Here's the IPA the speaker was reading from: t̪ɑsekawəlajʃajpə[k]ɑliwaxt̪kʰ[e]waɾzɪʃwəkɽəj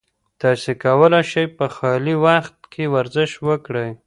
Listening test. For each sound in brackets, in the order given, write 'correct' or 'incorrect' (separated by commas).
incorrect, correct